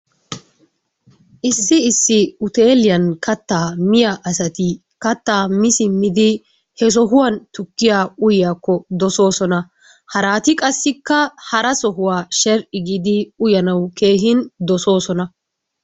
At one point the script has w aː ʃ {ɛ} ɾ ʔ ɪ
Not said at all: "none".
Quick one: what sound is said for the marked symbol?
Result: ɛ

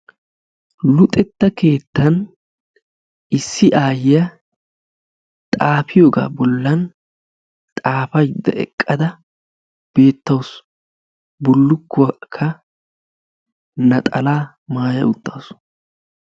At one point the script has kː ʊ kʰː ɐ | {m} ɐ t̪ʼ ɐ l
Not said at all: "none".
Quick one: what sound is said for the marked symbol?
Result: n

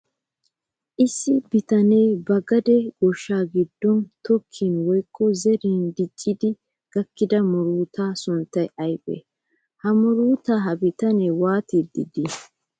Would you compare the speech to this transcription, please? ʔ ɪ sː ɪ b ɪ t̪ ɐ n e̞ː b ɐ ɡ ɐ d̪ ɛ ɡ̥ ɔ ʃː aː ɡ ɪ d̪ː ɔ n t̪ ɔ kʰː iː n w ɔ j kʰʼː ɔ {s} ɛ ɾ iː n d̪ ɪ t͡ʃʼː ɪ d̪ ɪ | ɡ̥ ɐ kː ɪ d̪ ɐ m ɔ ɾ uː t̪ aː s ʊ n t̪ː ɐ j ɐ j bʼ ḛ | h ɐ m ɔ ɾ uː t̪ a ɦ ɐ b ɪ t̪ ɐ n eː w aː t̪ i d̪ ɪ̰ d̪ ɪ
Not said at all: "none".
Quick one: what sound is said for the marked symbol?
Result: z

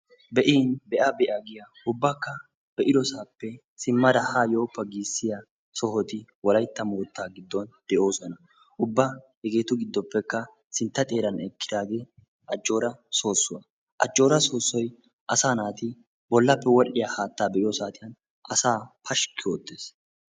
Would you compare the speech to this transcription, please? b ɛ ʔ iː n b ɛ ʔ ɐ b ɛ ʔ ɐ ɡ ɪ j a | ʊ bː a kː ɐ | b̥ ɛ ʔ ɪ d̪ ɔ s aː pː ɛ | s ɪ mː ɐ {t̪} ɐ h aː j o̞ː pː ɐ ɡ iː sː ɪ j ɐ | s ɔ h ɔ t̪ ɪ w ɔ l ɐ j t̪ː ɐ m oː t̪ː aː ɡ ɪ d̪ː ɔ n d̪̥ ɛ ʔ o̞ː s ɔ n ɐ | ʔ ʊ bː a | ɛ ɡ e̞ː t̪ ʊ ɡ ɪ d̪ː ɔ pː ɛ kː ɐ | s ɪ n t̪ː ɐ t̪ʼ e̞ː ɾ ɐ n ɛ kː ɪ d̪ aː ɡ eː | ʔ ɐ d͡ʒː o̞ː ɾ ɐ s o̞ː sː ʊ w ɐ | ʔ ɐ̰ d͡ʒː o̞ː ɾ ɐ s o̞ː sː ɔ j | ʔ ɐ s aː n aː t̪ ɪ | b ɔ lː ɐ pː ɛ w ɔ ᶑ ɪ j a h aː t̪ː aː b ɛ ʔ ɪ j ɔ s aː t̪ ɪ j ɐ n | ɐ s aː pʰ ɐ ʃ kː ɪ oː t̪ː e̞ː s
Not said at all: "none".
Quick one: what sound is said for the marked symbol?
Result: d̪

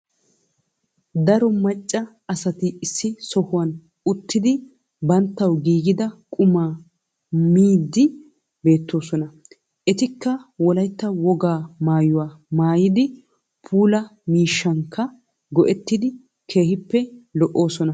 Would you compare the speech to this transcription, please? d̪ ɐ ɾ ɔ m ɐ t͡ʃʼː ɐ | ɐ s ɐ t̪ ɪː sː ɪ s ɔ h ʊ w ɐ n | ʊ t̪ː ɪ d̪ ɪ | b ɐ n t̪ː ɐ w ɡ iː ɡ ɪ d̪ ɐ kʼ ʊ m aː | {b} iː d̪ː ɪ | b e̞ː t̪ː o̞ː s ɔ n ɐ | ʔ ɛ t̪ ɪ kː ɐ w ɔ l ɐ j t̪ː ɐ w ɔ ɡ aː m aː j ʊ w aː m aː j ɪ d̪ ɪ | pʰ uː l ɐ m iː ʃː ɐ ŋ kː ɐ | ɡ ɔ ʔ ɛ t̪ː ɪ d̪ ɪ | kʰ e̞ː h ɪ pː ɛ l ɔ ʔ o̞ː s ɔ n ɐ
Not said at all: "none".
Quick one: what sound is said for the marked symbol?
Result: m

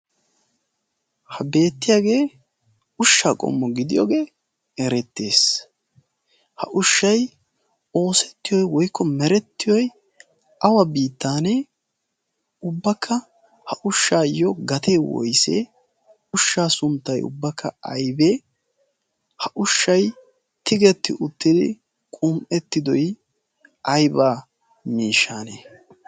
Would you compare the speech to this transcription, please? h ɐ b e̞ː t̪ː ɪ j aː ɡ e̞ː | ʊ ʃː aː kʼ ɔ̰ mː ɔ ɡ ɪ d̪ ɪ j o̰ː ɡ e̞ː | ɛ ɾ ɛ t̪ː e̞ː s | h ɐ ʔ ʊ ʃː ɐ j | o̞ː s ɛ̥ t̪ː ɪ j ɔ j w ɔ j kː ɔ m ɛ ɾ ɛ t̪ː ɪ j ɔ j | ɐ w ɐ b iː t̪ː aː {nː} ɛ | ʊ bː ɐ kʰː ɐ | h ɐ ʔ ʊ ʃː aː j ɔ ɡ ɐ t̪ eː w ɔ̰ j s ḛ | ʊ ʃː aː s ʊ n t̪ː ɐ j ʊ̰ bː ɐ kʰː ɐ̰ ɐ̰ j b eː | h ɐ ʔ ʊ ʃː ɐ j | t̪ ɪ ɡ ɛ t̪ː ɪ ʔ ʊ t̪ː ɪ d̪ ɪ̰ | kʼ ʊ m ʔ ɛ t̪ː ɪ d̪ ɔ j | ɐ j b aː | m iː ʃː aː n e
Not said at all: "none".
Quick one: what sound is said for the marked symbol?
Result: n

